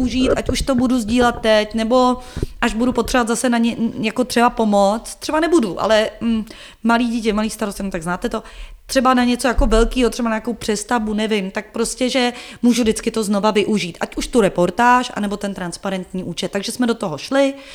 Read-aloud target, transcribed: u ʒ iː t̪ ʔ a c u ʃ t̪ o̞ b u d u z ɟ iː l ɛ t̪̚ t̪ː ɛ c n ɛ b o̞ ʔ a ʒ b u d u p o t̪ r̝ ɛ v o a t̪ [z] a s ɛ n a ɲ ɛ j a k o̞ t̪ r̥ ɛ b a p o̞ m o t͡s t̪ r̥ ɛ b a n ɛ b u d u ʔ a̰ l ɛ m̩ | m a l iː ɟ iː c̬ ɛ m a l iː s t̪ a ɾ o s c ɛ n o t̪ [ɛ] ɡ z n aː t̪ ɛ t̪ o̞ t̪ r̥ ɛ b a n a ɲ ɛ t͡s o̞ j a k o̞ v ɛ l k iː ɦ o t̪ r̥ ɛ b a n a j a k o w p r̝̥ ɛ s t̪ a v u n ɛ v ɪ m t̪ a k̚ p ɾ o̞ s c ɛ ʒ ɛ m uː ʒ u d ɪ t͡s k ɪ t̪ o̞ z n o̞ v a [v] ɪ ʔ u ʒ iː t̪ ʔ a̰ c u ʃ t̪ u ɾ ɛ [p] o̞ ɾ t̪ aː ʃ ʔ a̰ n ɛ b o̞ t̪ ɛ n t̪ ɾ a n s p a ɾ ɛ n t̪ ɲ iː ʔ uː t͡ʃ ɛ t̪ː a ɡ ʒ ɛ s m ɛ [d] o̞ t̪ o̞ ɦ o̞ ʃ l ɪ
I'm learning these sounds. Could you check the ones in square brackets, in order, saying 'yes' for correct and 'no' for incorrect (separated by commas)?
yes, no, yes, yes, yes